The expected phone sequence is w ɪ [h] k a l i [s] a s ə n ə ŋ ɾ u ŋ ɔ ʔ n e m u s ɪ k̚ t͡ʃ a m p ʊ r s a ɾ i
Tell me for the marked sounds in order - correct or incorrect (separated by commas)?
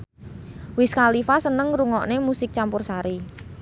incorrect, incorrect